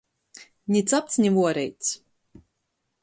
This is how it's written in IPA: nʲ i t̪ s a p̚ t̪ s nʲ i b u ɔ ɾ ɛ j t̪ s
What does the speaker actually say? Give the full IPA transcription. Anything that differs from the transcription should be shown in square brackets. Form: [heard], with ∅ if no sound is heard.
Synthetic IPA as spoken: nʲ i t̪ s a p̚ t̪ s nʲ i [v] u ɔ ɾ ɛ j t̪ s